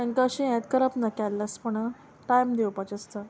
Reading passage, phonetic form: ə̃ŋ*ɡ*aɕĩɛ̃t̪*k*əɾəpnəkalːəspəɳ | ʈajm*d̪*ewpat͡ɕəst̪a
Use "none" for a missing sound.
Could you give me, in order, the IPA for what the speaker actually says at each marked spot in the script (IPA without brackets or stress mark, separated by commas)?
k, k, d̪